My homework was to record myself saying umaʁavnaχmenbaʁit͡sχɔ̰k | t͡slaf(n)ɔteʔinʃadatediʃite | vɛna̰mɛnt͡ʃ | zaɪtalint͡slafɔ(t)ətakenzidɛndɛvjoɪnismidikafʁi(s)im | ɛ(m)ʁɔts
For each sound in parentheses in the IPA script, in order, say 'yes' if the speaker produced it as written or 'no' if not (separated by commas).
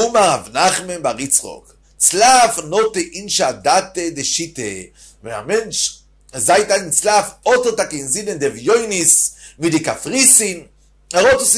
yes, yes, yes, no